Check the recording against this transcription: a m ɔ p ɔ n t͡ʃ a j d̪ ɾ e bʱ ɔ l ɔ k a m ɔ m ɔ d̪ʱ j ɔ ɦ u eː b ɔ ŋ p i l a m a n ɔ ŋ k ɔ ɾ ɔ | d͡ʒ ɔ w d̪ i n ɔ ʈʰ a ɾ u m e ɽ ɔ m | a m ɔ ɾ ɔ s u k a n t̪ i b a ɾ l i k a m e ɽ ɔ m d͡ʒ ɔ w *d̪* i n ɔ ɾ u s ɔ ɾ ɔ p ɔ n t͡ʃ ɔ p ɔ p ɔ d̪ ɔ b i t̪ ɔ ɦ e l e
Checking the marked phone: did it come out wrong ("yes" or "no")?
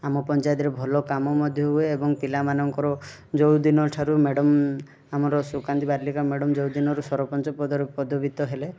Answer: no